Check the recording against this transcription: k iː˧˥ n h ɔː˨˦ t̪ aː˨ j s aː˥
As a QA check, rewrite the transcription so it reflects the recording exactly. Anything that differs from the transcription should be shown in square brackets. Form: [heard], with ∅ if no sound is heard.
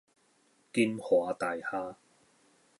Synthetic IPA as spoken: k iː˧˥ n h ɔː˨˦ t̪ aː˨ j [h] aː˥